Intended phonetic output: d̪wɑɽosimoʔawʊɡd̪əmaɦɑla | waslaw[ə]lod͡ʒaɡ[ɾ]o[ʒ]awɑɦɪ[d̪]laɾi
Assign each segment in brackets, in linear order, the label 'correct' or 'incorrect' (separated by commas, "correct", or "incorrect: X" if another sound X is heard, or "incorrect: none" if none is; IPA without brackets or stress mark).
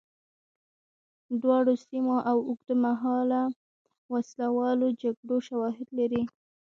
incorrect: ɑ, incorrect: ɽ, incorrect: ʃ, correct